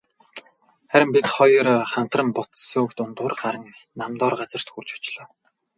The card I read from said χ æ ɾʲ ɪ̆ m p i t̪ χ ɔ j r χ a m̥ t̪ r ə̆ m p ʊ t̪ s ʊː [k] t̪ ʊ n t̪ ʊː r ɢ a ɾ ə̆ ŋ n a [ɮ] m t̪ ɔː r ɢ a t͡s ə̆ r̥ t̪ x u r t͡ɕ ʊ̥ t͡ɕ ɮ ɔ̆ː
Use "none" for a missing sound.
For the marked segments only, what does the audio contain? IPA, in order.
k, none

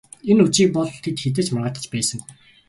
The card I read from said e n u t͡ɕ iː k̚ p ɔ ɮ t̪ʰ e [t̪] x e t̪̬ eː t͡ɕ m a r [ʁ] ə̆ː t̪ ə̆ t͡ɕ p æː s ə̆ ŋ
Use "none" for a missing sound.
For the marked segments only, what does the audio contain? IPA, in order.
t̪, ʁ

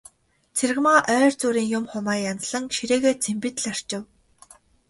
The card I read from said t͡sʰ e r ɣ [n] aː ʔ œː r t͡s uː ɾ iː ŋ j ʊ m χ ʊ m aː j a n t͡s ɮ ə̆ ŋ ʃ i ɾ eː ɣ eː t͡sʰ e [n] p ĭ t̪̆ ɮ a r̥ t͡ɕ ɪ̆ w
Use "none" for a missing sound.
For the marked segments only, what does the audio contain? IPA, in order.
m, m

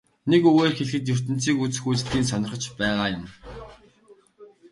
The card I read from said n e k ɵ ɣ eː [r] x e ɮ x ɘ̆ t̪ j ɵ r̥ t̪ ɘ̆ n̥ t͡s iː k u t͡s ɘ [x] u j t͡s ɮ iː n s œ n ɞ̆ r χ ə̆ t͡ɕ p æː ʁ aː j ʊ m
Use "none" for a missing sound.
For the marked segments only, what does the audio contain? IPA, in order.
r, x

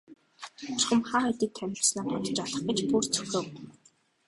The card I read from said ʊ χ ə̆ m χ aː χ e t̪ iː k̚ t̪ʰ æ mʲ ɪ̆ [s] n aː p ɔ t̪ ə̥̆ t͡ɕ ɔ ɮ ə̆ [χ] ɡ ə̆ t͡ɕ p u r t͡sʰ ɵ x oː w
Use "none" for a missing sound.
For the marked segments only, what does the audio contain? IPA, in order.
s, χ

